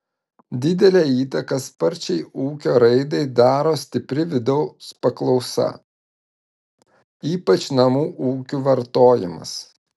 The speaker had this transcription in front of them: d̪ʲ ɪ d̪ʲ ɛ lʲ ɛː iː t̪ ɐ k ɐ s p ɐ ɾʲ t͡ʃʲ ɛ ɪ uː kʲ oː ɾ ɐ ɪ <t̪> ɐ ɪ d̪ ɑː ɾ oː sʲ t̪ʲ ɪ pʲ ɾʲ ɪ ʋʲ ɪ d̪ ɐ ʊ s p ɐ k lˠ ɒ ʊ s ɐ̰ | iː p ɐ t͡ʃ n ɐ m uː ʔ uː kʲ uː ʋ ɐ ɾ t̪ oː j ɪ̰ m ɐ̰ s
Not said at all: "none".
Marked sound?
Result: d̪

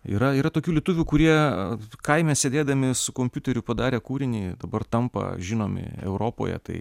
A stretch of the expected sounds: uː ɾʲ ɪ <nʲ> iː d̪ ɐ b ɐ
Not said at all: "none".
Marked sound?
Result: nʲ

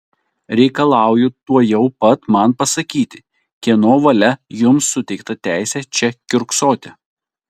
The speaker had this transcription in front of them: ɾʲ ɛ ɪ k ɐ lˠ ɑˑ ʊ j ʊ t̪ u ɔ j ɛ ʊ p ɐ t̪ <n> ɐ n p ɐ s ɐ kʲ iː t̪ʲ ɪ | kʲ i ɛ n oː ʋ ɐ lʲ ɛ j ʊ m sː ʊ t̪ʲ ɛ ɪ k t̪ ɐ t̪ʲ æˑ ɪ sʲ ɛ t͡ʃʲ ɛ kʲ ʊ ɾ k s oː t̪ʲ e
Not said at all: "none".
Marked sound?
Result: m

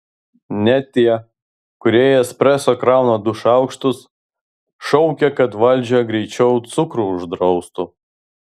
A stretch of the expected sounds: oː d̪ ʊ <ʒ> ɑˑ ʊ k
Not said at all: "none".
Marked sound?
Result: ʃ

